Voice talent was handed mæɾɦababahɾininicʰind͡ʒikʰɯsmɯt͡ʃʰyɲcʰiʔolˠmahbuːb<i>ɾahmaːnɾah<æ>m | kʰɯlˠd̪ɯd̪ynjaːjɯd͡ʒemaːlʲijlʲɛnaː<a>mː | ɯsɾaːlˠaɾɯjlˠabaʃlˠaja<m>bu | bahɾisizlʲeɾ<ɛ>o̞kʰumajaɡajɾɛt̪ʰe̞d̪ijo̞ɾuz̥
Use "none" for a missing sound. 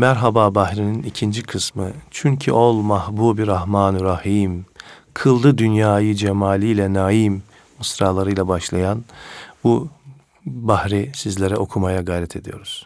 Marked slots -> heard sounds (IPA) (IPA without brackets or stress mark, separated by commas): i, i, i, n, ɛ